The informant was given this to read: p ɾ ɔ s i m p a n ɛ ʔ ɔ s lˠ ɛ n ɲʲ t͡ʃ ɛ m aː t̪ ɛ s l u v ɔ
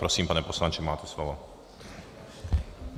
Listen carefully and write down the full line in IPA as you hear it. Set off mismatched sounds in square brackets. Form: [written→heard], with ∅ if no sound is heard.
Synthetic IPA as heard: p ɾ ɔ s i m p a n ɛ [ʔ→p] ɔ s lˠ [ɛ→a] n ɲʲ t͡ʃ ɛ m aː t̪ ɛ s l [u→ɔ] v ɔ